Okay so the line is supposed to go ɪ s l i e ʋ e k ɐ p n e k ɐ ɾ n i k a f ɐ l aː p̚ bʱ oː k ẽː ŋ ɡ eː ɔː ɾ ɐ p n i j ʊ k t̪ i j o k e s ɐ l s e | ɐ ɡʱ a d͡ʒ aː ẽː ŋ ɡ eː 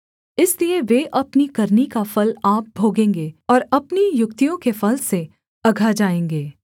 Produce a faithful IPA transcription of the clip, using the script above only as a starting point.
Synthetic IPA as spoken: ɪ s l i e ʋ e ʔ ɐ p n i k ɐ ɾ n i k a f ɐ l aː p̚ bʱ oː ɡ ẽː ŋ ɡ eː ɔː ɾ ɐ p n i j ʊ k t̪ i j õ k e f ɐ l s e | ɐ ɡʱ a d͡ʒ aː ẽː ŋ ɡ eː